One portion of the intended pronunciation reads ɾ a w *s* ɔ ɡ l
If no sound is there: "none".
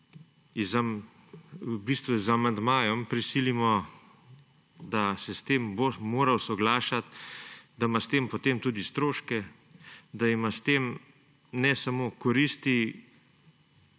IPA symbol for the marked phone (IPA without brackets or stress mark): s